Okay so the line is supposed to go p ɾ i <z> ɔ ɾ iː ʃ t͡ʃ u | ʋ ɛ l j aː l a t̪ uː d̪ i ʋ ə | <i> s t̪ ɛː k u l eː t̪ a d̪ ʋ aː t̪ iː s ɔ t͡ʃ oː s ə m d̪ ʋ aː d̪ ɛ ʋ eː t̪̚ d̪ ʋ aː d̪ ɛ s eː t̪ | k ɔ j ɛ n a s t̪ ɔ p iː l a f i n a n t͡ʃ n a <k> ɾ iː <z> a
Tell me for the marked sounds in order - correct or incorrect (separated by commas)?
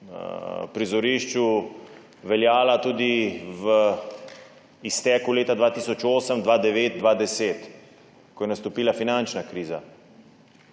correct, correct, correct, correct